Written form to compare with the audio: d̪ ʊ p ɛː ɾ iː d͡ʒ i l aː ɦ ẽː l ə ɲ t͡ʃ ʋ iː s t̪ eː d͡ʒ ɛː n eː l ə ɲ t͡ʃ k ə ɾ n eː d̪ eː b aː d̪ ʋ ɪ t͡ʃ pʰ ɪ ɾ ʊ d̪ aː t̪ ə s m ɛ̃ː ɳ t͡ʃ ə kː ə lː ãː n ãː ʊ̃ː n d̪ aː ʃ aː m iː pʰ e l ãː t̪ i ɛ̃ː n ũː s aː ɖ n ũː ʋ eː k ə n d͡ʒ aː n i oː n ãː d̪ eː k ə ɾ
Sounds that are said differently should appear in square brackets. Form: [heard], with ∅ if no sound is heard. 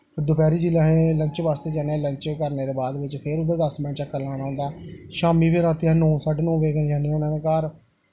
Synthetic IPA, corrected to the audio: d̪ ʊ p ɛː ɾ iː d͡ʒ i l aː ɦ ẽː l ə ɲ t͡ʃ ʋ [aː] s t̪ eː d͡ʒ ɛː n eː l ə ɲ t͡ʃ k ə ɾ n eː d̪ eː b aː d̪ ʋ ɪ t͡ʃ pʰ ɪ ɾ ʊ d̪ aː [d̪] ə s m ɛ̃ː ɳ t͡ʃ ə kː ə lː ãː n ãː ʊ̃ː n d̪ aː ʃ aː m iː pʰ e [ɾ] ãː t̪ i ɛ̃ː n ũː s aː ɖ n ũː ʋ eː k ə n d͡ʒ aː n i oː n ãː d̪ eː k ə ɾ